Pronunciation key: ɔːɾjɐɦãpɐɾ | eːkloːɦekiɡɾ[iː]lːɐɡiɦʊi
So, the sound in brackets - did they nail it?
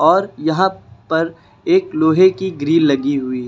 yes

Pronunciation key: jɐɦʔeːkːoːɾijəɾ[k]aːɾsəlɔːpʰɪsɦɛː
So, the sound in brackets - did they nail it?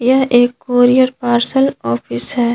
no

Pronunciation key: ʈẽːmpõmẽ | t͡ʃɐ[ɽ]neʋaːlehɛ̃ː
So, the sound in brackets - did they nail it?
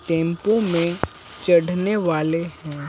yes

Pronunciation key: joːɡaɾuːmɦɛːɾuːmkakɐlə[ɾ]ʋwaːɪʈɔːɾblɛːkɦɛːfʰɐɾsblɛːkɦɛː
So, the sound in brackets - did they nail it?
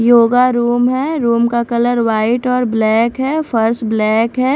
yes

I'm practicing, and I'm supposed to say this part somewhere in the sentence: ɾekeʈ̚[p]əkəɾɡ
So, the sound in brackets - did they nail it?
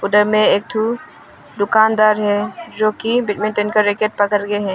yes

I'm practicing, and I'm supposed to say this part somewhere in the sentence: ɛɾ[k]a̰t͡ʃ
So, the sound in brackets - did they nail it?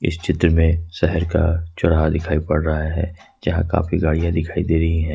yes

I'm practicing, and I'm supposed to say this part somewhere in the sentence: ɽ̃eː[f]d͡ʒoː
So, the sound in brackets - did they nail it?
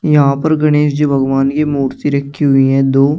no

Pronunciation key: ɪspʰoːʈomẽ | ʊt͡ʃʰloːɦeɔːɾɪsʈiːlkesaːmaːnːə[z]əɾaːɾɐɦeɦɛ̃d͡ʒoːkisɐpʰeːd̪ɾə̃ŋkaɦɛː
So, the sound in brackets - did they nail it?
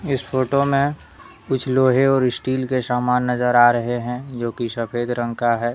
yes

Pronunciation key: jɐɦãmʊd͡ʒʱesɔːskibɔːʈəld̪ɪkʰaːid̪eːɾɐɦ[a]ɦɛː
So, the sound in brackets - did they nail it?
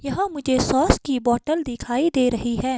no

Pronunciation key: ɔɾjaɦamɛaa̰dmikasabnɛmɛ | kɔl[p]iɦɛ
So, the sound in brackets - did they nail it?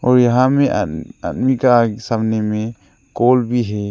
no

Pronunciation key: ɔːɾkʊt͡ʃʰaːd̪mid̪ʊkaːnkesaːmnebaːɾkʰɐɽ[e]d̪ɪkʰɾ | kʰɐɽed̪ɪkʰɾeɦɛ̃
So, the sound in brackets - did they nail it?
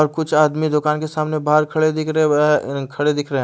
yes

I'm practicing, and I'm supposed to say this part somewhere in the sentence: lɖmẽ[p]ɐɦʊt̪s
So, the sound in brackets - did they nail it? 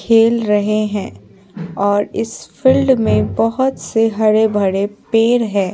no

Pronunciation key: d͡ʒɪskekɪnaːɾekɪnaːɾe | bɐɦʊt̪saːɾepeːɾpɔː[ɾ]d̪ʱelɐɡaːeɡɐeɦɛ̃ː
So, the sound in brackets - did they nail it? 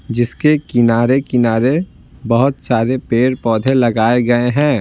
no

